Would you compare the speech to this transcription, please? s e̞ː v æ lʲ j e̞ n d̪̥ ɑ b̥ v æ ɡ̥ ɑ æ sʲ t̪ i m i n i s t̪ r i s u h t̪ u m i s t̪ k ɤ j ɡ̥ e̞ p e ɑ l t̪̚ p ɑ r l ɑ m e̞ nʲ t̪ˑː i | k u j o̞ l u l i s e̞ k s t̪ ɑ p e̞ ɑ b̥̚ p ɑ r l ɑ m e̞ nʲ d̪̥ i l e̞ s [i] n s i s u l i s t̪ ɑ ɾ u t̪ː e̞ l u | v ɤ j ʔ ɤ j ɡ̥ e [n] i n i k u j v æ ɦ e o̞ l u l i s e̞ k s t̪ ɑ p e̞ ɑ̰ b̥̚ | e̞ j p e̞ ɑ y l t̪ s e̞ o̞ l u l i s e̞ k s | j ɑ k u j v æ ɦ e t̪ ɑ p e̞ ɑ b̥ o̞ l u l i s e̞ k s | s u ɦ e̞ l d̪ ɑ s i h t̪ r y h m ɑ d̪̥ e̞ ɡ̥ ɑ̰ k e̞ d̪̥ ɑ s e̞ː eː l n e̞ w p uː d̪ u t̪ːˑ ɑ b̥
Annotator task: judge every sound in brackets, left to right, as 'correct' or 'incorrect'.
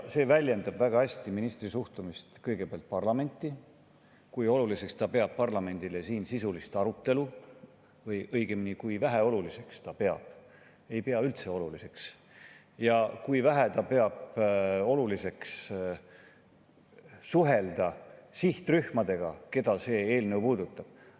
incorrect, incorrect

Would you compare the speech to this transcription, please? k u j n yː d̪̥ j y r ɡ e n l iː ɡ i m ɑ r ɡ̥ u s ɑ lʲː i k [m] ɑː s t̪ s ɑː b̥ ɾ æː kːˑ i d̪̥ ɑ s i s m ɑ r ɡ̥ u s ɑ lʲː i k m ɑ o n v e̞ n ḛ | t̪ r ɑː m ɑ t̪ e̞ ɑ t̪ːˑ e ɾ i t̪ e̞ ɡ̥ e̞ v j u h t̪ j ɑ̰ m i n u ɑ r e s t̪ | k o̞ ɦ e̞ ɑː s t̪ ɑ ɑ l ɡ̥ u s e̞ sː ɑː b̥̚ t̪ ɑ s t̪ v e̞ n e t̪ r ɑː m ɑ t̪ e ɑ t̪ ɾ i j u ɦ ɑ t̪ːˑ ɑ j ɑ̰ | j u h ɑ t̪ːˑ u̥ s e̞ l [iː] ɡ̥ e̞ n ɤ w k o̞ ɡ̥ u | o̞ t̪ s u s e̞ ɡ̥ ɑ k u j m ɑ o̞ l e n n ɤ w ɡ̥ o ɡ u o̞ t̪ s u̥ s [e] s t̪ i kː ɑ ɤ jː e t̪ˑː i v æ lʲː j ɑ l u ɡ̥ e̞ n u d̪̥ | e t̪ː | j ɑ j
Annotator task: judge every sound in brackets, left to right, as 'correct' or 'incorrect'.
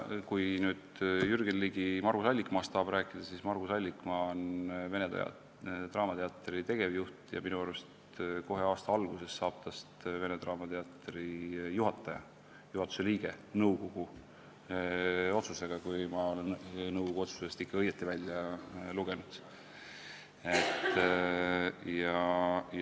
correct, correct, correct

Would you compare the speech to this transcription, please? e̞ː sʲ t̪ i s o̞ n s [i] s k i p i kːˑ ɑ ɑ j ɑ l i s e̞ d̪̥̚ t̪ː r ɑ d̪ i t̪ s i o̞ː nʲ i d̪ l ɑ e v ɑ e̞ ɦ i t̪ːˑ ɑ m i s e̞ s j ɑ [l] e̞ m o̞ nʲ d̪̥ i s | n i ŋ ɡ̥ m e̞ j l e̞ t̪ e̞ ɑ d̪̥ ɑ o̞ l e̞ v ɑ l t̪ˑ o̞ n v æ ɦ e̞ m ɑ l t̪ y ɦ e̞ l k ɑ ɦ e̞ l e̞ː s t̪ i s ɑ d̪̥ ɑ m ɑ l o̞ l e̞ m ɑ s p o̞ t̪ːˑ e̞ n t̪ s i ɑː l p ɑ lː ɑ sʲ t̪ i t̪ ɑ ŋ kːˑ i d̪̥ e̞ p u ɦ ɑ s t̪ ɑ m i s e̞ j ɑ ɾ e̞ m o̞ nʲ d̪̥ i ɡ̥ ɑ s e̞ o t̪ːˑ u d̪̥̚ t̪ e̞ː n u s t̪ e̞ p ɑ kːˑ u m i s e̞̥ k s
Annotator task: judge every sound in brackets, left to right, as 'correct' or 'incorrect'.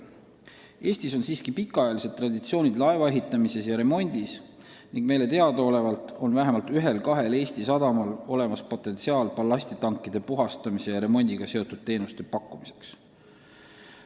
incorrect, incorrect

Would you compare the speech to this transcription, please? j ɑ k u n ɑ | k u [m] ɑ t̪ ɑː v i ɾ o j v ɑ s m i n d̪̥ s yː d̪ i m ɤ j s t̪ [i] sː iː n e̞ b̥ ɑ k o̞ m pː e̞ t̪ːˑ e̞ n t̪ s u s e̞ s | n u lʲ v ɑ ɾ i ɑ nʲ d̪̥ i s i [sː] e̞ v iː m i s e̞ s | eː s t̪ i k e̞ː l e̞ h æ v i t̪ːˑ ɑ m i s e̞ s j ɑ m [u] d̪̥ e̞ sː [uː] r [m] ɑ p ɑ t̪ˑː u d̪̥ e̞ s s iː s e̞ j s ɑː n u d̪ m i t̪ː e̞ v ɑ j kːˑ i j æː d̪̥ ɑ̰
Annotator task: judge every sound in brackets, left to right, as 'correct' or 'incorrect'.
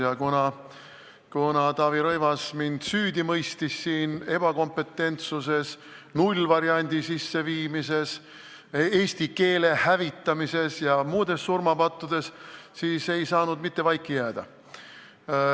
incorrect, correct, correct, incorrect, incorrect, correct

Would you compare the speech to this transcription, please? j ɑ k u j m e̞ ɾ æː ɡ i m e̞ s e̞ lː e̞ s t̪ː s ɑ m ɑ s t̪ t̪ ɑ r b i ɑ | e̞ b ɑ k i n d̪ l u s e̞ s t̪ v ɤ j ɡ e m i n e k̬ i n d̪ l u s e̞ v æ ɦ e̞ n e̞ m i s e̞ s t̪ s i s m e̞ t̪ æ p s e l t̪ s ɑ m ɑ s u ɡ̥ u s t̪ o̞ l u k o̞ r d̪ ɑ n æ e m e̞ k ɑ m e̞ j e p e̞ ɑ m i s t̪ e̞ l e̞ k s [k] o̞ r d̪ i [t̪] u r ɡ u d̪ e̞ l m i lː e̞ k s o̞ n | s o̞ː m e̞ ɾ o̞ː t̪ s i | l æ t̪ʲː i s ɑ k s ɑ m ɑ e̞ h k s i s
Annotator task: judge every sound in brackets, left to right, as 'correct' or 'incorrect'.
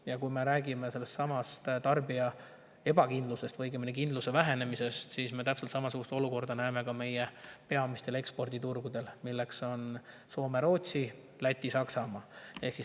incorrect, correct

